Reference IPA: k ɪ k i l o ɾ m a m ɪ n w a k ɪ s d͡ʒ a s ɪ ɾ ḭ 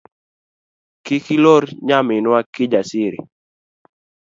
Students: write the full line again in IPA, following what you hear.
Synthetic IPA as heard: k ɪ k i l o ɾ ɲ a m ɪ n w a k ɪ d͡ʒ a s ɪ ɾ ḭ